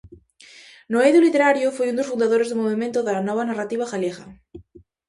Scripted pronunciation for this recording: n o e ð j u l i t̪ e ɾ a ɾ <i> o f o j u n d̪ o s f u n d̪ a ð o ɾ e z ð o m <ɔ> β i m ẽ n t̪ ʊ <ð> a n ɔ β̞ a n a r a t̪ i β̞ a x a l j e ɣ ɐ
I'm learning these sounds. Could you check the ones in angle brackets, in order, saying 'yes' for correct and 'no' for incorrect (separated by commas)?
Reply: no, no, yes